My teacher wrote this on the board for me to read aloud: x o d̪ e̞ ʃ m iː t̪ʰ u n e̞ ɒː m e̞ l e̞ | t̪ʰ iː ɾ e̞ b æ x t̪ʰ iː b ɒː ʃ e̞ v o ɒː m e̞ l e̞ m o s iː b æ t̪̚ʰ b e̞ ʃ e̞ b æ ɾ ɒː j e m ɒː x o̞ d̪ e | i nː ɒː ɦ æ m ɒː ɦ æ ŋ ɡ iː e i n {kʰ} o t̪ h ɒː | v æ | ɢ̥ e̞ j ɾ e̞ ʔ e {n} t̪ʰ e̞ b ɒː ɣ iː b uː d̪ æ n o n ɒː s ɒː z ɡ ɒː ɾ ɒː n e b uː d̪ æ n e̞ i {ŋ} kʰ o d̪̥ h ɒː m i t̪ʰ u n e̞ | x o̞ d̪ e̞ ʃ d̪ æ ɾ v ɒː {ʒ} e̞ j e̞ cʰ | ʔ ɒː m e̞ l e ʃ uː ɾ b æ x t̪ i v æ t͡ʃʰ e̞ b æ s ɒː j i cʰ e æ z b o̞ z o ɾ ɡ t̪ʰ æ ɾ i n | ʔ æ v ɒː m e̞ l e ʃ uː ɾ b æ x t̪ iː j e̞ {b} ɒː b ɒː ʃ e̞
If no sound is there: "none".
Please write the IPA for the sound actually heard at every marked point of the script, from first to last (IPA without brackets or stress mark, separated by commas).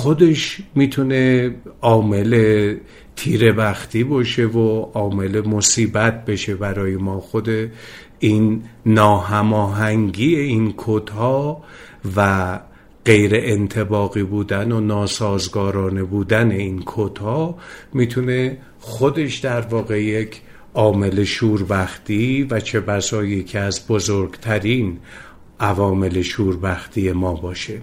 kʰ, n, n, ɣ, m